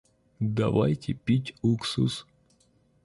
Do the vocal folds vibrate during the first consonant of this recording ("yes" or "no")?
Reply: yes